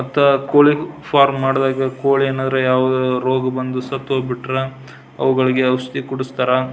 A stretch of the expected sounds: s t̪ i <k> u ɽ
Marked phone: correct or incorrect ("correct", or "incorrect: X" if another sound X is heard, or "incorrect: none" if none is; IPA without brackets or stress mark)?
correct